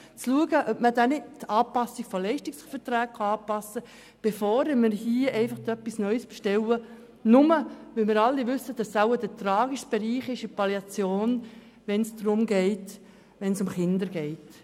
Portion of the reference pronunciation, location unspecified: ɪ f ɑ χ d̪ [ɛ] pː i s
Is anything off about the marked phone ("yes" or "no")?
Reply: yes